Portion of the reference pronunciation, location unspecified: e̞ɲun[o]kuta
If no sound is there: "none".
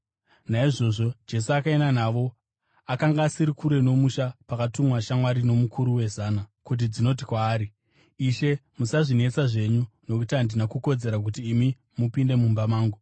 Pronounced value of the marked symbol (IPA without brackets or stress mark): o